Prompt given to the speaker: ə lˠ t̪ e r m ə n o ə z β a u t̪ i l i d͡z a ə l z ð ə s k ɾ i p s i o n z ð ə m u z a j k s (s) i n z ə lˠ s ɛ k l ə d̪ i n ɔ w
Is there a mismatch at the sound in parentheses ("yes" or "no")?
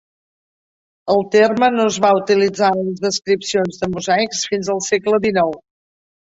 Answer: yes